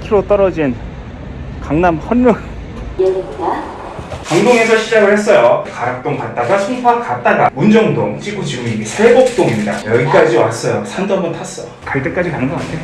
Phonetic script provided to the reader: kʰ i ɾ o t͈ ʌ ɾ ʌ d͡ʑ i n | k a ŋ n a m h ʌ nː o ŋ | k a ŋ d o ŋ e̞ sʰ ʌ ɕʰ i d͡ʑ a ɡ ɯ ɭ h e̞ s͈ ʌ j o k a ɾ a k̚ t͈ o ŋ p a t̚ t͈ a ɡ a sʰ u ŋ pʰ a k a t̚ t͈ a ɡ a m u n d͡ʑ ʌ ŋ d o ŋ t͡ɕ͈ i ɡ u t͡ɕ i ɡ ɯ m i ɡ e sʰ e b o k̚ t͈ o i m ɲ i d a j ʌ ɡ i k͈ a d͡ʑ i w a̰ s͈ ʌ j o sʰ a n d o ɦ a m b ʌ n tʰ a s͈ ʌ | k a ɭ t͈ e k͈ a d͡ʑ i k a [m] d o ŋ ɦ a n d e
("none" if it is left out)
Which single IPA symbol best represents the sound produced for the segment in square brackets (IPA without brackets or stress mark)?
ŋ